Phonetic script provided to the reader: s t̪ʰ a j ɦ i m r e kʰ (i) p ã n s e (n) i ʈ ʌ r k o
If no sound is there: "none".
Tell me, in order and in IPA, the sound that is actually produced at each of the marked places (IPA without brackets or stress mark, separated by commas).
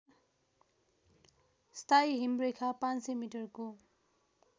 a, m